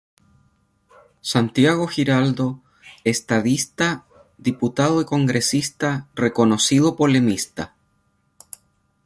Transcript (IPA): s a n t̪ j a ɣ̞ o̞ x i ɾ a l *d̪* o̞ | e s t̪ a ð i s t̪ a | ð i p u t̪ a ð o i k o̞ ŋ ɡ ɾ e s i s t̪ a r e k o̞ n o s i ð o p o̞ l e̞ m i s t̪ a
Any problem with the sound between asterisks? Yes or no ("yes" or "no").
no